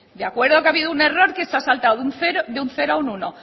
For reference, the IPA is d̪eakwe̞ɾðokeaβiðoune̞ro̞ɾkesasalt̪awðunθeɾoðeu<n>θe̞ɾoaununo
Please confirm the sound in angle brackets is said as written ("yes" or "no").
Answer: yes